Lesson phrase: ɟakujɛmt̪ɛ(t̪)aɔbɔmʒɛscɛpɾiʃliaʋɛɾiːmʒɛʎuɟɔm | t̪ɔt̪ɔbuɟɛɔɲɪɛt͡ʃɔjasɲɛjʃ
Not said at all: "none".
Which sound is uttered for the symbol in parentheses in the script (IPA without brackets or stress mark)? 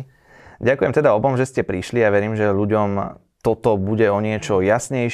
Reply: d̪